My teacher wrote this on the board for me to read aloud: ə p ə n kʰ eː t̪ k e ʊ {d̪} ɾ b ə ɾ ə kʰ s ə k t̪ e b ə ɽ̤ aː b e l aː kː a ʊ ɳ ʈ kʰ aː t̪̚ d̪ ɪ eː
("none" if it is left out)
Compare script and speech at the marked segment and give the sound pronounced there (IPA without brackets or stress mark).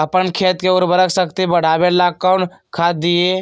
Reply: none